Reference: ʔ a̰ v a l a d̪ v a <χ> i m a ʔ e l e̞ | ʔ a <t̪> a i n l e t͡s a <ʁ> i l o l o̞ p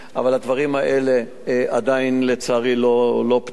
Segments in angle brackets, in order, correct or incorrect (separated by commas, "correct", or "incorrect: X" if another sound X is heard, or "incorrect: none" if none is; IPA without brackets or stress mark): incorrect: ʁ, incorrect: d̪, correct